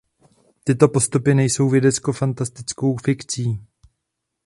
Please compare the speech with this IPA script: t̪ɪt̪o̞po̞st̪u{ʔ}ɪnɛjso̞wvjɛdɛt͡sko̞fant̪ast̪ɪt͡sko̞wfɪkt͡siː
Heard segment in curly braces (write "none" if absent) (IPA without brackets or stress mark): p